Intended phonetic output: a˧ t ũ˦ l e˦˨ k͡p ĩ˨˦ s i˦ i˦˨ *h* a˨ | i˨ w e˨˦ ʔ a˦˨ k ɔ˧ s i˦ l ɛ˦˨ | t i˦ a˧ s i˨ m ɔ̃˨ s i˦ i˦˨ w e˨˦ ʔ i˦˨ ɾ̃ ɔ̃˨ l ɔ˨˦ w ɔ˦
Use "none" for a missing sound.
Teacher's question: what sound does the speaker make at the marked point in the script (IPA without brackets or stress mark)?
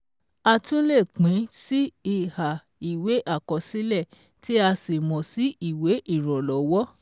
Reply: h